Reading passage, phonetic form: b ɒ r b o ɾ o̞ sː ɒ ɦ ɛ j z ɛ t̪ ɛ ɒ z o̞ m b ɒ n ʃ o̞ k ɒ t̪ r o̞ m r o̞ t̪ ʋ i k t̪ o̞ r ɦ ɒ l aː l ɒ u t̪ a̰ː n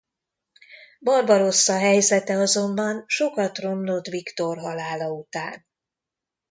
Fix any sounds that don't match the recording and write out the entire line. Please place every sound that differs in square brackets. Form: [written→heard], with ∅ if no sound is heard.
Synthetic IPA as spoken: b ɒ r b [o→ɒ] ɾ o̞ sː ɒ ɦ ɛ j z ɛ t̪ ɛ ɒ z o̞ m b ɒ n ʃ o̞ k ɒ t̪ r o̞ m [r→l] o̞ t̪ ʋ i k t̪ o̞ r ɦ ɒ l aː l ɒ u t̪ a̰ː n